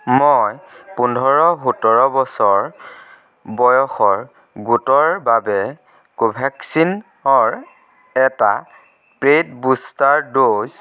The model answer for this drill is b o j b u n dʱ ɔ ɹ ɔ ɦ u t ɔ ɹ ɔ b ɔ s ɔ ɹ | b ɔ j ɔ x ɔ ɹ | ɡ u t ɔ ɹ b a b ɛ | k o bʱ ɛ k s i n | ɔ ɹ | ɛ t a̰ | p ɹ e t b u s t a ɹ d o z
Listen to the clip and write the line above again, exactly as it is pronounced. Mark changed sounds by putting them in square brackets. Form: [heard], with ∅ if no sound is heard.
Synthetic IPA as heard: [m] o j [p] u n dʱ ɔ ɹ ɔ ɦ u t ɔ ɹ ɔ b ɔ s ɔ ɹ | b ɔ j ɔ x ɔ ɹ | ɡ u t ɔ ɹ b a b ɛ | k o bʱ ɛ k s i n | ɔ ɹ | ɛ t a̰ | p ɹ e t b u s t a ɹ d o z